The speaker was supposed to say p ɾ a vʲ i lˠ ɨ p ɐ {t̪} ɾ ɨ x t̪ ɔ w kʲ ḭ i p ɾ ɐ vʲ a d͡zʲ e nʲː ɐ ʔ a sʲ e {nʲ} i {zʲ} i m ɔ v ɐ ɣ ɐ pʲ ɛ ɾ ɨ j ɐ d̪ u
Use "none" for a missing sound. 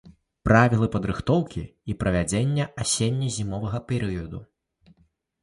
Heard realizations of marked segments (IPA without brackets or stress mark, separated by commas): d̪, nʲː, zʲ